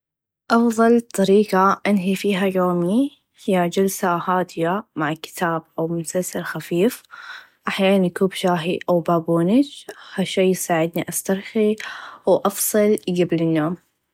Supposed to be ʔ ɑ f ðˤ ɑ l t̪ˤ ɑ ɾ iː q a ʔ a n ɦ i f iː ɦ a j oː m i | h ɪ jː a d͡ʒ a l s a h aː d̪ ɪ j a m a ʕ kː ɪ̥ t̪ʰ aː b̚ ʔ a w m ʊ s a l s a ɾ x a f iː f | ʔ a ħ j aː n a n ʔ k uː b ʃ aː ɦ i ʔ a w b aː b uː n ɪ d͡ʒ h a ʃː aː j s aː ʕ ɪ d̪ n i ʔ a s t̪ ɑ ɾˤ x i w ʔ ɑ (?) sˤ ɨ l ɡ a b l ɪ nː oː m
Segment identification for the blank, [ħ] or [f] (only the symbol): f